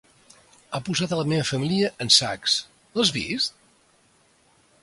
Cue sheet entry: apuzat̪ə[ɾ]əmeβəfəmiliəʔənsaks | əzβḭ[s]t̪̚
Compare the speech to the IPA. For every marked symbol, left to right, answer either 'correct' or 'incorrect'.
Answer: incorrect, correct

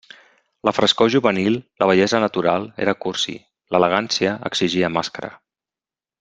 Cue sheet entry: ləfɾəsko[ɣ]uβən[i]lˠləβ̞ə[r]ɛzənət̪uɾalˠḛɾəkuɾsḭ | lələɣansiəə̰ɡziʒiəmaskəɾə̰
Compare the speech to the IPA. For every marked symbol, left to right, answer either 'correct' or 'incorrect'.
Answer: incorrect, correct, incorrect

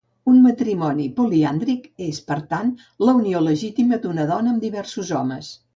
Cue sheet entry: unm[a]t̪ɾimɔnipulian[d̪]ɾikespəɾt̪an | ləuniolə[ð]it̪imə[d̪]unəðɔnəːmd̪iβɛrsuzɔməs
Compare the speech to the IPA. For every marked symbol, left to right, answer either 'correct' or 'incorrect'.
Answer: incorrect, correct, incorrect, correct

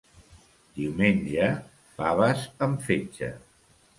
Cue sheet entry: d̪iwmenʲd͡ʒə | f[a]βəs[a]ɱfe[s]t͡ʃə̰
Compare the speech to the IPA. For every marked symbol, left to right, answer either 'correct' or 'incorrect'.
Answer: correct, incorrect, incorrect

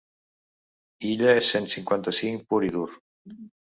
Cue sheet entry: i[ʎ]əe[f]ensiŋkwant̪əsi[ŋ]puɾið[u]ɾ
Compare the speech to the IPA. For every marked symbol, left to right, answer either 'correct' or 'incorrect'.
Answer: correct, incorrect, correct, correct

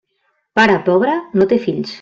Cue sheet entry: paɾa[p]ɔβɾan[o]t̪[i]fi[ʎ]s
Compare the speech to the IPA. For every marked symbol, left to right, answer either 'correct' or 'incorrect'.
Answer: correct, correct, incorrect, correct

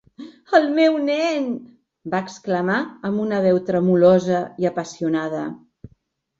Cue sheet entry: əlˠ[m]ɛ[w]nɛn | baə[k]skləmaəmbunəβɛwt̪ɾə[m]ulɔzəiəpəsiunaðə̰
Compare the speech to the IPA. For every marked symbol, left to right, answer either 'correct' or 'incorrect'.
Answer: correct, correct, correct, correct

